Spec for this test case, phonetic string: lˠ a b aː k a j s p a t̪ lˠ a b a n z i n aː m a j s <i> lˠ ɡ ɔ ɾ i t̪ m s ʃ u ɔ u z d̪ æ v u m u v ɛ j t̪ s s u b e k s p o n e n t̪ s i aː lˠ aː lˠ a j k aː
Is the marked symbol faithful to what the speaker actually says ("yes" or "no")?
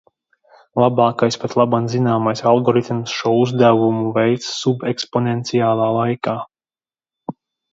no